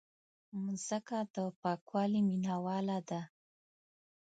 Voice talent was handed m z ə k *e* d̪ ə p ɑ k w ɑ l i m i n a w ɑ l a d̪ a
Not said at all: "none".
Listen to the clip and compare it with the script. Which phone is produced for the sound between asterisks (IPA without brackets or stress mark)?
a